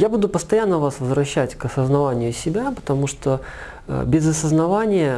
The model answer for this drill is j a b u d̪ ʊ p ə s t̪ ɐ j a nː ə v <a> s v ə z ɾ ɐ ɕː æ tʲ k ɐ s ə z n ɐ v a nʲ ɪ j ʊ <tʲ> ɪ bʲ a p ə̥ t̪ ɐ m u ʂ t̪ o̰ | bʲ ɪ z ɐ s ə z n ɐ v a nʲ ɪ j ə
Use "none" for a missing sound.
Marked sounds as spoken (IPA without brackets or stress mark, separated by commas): a, sʲ